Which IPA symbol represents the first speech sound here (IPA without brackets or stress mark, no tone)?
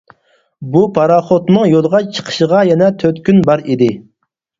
b